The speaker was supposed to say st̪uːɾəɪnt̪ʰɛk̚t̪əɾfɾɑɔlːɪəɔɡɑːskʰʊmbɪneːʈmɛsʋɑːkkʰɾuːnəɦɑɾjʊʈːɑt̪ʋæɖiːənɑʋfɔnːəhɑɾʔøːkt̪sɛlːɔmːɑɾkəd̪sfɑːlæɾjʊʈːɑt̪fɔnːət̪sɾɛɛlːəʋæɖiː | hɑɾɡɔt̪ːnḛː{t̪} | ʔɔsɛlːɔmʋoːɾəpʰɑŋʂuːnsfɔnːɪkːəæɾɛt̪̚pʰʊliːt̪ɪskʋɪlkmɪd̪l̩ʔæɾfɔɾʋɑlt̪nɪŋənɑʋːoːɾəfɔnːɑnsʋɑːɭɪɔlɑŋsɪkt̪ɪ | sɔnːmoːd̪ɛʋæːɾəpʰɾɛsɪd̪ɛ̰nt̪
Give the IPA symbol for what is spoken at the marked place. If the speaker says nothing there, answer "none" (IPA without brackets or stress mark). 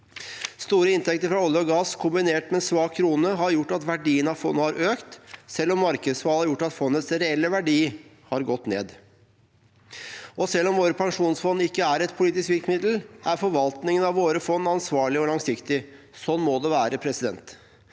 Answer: d̪